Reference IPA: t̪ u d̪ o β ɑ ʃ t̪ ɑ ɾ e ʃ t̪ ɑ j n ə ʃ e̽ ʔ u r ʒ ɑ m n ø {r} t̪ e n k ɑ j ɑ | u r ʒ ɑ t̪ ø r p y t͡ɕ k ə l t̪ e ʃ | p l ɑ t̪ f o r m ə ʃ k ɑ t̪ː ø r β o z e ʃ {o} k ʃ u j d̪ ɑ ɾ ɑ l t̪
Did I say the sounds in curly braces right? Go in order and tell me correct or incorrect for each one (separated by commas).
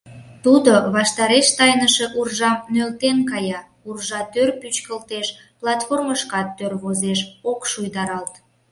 incorrect, correct